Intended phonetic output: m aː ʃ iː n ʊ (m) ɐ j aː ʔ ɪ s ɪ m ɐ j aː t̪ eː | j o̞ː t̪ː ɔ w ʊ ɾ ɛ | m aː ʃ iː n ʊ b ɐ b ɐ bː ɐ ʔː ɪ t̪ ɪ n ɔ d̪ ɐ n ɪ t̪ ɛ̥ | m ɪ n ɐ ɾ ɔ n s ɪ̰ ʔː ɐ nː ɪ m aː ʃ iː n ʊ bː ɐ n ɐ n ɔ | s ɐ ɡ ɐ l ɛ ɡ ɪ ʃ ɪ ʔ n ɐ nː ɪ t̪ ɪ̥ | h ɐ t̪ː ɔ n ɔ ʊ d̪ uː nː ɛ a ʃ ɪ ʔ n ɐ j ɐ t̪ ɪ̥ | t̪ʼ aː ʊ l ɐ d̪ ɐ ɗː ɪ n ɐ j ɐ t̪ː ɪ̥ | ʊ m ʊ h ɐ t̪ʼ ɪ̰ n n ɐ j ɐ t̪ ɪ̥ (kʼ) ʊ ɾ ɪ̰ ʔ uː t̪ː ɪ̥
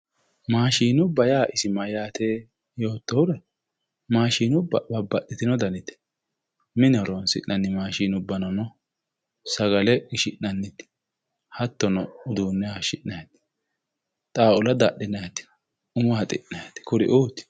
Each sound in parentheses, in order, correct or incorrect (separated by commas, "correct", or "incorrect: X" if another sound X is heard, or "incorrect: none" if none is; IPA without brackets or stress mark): incorrect: b, incorrect: k